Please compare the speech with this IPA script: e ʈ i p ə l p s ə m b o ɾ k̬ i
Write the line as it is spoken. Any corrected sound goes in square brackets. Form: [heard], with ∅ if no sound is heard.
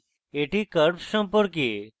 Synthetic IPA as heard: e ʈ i [k] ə [ɾ] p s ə m [p] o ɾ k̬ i